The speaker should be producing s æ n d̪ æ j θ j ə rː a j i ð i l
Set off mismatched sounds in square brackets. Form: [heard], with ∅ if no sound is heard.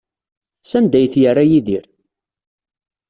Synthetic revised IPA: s æ n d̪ æ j θ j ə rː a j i ð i [ɾ]